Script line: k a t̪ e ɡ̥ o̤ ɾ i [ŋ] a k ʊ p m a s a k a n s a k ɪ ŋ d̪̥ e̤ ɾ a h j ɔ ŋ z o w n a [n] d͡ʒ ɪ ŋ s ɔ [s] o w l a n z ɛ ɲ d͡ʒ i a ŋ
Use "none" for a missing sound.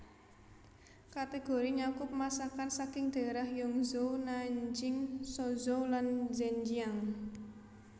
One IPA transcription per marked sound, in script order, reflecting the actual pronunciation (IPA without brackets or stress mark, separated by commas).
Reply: ɲ, ɲ, z